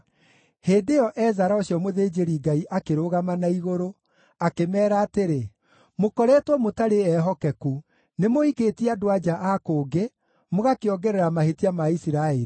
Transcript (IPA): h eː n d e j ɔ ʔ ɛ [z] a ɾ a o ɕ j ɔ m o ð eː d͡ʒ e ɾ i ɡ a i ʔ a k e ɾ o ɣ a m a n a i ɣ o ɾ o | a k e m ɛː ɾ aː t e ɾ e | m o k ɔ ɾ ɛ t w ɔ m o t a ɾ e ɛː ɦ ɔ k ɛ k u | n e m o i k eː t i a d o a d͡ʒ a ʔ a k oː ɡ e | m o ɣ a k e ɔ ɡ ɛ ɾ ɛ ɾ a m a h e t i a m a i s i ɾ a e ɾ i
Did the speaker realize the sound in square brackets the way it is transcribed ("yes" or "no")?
yes